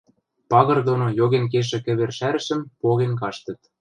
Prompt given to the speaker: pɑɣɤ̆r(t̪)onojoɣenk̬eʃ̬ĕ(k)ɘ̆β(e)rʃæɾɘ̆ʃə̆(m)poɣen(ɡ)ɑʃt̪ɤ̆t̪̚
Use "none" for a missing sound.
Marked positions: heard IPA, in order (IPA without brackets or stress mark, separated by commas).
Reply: d̪, k, e, m, k